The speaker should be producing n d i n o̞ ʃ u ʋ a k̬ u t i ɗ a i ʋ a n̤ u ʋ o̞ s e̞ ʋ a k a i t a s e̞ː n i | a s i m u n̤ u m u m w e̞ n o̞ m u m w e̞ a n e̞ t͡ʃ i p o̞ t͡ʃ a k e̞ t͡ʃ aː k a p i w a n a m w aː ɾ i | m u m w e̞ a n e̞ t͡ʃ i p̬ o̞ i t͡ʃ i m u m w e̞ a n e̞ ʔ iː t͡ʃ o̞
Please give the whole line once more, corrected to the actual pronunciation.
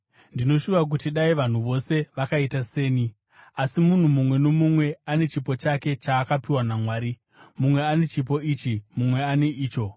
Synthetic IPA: n d i n o̞ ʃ u ʋ a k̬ u t i ɗ a i ʋ a n̤ u ʋ o̞ s e̞ ʋ a k a i t a s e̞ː n i | a s i m u n̤ u m u m w e̞ n o̞ m u m w e̞ a n e̞ t͡ʃ i p o̞ t͡ʃ a k e̞ t͡ʃ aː k a p i w a n a m w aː ɾ i | m u m w e̞ a n e̞ t͡ʃ i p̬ o̞ i t͡ʃ i m u m w e̞ a n e̞ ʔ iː t͡ʃ o̞

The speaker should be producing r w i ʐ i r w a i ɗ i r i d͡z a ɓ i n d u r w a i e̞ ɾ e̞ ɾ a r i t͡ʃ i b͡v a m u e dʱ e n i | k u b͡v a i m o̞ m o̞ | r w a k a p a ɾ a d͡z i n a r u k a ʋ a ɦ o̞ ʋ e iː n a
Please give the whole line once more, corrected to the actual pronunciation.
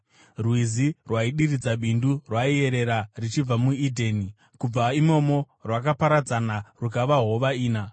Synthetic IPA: r w i z i r w a i ɗ i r i d͡z a ɓ i n d u r w a i e̞ ɾ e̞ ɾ a r i t͡ʃ i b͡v a m u i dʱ e n i | k u b͡v a i m o̞ m o̞ | r w a k a p a ɾ a d͡z a n a r u k a ʋ a ɦ o̞ ʋ a iː n a

